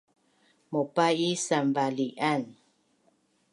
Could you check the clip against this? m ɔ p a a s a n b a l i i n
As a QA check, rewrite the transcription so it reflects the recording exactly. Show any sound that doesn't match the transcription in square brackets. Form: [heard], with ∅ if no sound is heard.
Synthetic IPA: m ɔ p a [i] s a [m] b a l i [a] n